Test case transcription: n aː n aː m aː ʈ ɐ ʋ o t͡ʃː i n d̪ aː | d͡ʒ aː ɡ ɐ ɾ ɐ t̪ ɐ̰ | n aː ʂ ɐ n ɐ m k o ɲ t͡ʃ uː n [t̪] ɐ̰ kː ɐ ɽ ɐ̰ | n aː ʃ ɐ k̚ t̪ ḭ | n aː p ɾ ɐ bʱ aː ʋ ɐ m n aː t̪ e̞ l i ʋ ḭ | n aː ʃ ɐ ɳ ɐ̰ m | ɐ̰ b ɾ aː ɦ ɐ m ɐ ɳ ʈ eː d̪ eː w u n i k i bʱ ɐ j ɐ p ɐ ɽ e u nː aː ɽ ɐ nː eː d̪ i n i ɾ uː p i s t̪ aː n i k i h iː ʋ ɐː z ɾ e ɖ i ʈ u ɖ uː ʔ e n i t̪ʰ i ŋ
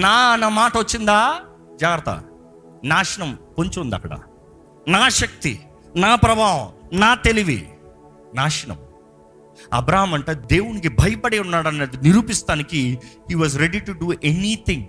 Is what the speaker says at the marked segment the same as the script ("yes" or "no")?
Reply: no